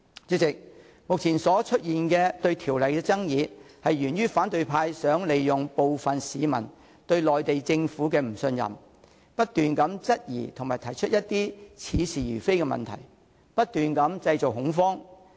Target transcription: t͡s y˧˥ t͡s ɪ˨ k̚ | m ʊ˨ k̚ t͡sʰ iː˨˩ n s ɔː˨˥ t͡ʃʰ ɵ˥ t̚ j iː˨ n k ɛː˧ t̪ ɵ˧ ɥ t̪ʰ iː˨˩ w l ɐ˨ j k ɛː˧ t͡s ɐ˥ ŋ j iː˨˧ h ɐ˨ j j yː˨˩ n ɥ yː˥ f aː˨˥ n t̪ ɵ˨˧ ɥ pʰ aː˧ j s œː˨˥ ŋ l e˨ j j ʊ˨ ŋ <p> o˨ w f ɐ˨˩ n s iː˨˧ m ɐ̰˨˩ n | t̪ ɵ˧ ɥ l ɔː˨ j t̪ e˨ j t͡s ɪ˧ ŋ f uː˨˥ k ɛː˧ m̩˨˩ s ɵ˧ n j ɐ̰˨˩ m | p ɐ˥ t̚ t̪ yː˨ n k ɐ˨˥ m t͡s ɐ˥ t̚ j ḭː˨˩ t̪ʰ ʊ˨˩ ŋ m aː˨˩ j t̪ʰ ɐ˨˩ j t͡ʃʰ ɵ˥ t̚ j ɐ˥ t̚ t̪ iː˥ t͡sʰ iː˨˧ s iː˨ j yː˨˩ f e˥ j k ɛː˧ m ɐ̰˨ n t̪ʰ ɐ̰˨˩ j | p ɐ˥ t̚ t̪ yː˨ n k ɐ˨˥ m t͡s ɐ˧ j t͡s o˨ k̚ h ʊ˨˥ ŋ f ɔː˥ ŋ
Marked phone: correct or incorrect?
correct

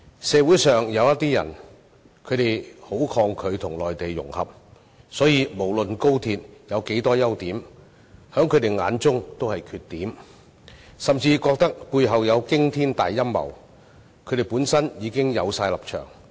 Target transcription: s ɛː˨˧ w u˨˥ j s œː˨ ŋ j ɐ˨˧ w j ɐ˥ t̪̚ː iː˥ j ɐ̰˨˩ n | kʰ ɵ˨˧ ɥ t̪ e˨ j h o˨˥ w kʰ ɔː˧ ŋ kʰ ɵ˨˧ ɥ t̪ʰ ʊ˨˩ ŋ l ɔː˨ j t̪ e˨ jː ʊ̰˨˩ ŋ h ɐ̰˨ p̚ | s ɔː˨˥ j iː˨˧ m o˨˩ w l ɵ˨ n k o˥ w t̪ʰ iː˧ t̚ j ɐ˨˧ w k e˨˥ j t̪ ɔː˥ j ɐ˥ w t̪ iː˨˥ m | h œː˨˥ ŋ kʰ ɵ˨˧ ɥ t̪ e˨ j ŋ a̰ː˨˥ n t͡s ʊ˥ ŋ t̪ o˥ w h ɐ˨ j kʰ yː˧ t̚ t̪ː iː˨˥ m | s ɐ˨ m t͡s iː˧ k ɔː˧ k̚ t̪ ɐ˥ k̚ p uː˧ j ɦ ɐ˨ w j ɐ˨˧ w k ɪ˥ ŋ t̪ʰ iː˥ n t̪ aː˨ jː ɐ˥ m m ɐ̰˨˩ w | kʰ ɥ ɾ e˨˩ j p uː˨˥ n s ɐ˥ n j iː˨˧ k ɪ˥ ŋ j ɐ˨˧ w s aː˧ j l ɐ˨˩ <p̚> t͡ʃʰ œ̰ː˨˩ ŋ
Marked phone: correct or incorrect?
correct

